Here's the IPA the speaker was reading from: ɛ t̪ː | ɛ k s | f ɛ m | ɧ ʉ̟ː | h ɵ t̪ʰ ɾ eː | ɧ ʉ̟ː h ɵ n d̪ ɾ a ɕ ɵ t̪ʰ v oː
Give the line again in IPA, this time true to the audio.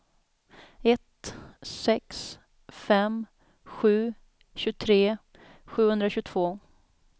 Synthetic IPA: ɛ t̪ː | ɛ k s | f ɛ m | ɧ ʉ̟ː | ɕ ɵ t̪ʰ ɾ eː | ɧ ʉ̟ː h ɵ n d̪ ɾ a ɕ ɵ t̪ʰ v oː